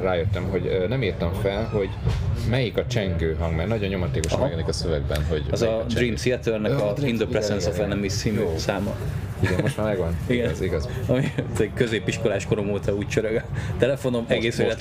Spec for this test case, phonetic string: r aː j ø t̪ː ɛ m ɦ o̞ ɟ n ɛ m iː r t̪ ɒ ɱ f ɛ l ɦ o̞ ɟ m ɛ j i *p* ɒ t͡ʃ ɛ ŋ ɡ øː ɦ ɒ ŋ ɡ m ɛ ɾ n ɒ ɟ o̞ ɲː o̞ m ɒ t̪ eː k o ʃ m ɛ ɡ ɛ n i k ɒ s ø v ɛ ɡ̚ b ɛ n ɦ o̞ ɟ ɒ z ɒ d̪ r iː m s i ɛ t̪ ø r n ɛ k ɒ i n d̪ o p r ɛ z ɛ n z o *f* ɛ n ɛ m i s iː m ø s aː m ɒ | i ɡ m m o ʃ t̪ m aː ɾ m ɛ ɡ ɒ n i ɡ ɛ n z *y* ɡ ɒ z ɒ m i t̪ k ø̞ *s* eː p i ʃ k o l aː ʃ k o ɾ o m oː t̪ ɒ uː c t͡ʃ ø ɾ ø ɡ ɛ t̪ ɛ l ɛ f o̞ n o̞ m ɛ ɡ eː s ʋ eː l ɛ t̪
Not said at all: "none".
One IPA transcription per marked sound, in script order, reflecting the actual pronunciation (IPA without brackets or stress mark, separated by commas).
k, f, i, z